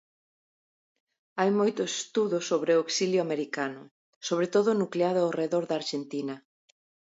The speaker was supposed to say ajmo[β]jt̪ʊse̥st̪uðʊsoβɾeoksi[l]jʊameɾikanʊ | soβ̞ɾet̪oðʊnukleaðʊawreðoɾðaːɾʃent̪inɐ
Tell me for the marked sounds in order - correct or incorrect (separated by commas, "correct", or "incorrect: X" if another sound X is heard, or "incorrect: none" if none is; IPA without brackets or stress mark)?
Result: incorrect: none, correct